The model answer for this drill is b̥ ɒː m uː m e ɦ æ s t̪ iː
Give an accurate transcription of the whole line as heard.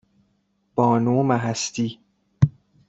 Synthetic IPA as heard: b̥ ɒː n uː m æ ɦ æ s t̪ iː